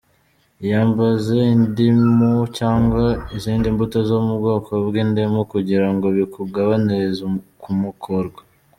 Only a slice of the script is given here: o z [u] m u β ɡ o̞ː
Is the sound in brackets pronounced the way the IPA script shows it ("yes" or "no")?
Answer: no